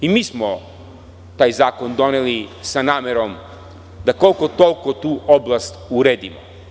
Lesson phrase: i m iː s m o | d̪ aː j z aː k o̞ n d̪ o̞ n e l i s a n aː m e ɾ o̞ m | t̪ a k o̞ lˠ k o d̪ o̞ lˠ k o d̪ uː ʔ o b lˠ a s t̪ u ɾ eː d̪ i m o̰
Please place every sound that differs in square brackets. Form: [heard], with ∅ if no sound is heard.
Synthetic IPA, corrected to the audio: i m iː s m o | [t̪] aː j z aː k o̞ n d̪ o̞ n e l i s a n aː m e ɾ o̞ m | [d̪] a k o̞ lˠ k o [t̪] o̞ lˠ k o [t̪] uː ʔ o b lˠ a s t̪ u ɾ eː d̪ i m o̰